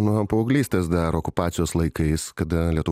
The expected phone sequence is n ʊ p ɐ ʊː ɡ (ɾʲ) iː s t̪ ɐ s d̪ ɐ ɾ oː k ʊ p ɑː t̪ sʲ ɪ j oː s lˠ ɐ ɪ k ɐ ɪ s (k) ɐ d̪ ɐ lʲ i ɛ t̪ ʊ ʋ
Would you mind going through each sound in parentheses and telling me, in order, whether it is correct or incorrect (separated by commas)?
incorrect, correct